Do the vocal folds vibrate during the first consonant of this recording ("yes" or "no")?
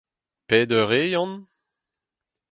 no